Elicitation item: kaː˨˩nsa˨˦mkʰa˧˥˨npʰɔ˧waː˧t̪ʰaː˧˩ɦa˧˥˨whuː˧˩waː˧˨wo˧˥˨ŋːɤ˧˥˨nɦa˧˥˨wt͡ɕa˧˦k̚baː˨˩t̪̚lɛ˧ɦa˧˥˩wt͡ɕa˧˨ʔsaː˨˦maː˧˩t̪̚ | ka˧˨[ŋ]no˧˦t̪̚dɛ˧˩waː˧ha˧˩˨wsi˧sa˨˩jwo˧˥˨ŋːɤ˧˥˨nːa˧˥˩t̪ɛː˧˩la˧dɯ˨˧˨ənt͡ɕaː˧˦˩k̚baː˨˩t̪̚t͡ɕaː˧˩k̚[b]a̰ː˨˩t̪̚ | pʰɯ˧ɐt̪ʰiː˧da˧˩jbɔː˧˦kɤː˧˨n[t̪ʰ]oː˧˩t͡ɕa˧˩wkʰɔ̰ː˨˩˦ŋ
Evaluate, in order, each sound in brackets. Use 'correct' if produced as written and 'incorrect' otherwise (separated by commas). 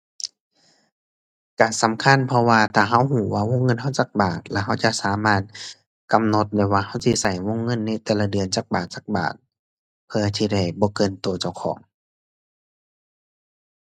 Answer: incorrect, correct, incorrect